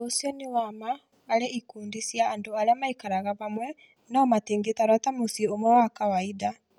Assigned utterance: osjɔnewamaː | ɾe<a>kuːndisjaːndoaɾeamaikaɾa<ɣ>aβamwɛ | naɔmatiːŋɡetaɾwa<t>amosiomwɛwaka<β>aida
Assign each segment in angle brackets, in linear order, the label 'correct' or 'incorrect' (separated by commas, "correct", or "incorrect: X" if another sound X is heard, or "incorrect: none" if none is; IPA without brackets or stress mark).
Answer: incorrect: i, correct, correct, incorrect: w